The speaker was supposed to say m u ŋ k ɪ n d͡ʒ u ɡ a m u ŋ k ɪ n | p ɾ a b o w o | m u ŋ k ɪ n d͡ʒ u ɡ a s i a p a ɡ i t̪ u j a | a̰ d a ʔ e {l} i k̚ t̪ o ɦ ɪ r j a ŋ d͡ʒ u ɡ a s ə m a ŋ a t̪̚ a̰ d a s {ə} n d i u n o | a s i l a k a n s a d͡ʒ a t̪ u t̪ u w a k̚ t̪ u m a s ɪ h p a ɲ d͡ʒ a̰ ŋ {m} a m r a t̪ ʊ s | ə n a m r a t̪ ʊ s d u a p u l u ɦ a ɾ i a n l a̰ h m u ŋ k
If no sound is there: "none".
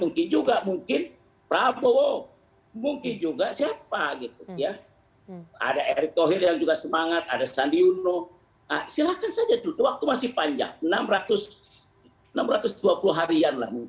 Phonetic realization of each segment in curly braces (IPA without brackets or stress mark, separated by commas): ɾ, a, n